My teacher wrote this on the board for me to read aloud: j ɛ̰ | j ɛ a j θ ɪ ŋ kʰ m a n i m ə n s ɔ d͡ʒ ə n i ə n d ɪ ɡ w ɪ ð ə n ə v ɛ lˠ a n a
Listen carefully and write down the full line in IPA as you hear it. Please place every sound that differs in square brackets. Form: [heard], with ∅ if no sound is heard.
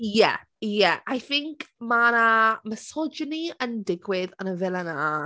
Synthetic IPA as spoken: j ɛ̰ | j ɛ a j θ ɪ ŋ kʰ m a n [a] m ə [∅] s ɔ d͡ʒ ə n i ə n d ɪ ɡ w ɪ ð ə n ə v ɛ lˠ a n a